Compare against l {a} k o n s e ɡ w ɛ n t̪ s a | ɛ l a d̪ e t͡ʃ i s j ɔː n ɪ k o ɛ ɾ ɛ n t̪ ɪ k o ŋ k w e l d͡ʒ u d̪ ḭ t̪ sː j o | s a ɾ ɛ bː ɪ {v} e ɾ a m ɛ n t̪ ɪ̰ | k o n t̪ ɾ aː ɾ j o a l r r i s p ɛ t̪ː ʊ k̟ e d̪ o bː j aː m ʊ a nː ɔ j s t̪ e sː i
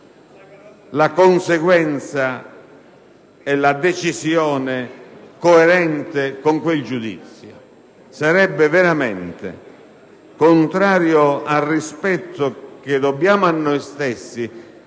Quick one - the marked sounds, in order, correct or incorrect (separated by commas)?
correct, correct